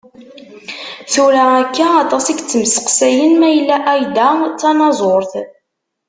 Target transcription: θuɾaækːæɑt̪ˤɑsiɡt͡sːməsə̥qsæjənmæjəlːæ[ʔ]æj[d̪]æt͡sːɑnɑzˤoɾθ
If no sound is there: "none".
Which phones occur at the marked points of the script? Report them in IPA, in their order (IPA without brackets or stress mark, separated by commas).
ʔ, d̪